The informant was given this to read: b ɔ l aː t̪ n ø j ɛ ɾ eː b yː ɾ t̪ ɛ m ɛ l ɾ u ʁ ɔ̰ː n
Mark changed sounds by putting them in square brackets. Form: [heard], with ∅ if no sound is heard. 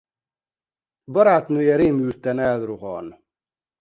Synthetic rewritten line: b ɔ [ɾ] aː t̪ n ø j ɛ ɾ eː [m] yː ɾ t̪ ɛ [n] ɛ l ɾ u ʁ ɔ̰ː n